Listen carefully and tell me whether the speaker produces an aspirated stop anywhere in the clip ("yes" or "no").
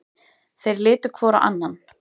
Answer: yes